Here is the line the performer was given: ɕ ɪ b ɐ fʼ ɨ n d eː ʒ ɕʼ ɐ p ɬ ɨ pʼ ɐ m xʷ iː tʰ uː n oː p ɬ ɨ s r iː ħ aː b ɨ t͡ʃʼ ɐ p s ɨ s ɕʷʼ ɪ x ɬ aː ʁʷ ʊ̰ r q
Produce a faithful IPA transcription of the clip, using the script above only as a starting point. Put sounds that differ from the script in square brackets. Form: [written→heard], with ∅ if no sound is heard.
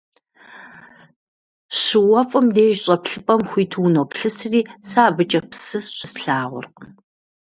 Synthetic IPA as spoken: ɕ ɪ [b→w] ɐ fʼ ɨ [n→m] d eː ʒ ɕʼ ɐ p ɬ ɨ pʼ ɐ m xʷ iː tʰ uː n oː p ɬ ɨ s r iː [ħ→s] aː b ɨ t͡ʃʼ ɐ p s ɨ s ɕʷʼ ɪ [x→s] ɬ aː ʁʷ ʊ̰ r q